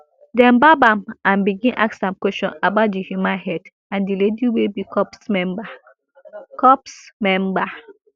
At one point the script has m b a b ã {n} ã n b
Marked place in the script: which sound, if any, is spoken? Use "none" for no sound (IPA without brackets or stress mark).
m